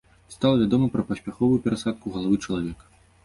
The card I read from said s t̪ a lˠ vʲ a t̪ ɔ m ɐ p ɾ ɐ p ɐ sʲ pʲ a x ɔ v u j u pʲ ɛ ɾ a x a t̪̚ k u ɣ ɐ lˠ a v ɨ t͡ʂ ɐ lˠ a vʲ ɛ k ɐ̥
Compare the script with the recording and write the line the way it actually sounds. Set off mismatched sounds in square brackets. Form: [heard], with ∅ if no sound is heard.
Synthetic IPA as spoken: s t̪ a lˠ vʲ a [d̪] ɔ m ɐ p ɾ ɐ p ɐ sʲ pʲ a x ɔ v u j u pʲ ɛ ɾ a [s] a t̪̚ k u ɣ ɐ lˠ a v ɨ t͡ʂ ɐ lˠ a vʲ ɛ k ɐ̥